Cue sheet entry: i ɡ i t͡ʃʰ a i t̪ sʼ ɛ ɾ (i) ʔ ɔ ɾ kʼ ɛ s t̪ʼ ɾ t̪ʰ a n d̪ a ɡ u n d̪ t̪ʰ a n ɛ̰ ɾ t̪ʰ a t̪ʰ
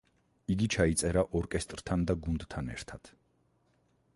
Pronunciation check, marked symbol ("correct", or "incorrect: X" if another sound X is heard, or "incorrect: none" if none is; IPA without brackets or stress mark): incorrect: a